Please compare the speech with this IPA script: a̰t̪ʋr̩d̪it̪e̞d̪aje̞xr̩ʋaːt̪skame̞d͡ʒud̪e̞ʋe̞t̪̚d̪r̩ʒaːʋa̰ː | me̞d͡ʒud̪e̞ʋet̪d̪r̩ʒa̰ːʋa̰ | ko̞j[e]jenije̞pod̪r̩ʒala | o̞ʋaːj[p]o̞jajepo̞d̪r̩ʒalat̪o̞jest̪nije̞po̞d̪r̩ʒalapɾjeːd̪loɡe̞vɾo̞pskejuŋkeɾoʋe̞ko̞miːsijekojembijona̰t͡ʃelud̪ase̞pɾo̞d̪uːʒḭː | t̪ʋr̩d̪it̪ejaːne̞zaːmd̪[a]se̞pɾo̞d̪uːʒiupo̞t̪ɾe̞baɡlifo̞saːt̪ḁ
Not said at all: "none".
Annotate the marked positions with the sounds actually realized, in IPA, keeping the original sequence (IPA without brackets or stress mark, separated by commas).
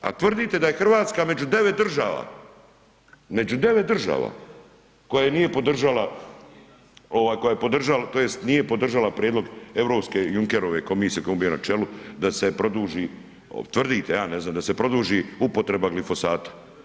a, k, a